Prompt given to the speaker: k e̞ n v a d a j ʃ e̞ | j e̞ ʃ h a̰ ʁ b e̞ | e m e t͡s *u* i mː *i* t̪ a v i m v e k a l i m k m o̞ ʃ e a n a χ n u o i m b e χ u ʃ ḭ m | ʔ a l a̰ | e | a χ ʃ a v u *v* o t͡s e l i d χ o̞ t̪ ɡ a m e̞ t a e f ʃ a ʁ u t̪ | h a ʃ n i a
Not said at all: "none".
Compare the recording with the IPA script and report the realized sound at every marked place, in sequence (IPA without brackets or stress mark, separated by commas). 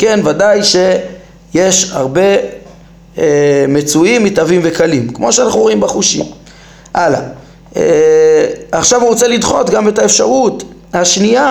u, i, ʁ